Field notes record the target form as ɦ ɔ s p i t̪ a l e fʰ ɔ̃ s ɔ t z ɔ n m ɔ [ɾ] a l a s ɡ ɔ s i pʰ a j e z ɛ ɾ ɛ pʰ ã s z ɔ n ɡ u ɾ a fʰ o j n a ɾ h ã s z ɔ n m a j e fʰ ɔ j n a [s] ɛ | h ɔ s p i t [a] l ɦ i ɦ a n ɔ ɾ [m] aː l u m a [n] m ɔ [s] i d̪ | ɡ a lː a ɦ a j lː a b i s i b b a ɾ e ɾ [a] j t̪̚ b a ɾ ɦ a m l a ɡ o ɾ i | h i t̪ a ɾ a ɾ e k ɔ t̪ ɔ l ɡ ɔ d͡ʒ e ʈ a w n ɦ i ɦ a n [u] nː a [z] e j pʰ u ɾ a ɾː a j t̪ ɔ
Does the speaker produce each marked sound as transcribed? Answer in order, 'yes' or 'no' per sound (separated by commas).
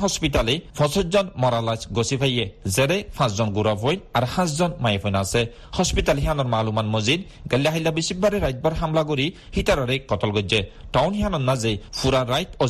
yes, yes, yes, yes, yes, no, yes, no, yes